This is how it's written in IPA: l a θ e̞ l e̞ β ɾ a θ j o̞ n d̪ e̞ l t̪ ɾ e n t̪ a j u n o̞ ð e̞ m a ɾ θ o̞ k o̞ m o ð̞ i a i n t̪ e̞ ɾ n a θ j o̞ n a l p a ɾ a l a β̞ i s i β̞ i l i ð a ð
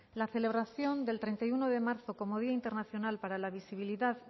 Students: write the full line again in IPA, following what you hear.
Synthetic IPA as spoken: l a θ e̞ l e̞ β ɾ a θ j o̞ n d̪ e̞ l t̪ ɾ e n t̪ a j u n o̞ ð e̞ m a ɾ θ o̞ k o̞ m o ð̞ i a i n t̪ e̞ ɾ n a θ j o̞ n a l p a ɾ a l a β̞ i s i β̞ i l i ð a ð